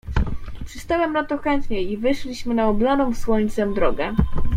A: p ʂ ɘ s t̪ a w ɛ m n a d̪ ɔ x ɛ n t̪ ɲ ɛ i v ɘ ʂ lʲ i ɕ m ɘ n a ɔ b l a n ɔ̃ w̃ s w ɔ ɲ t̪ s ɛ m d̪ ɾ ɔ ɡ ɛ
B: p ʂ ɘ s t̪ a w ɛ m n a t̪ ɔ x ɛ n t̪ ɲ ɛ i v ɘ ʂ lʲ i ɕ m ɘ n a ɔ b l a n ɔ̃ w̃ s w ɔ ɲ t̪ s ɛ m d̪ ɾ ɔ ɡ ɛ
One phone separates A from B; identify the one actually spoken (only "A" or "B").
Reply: B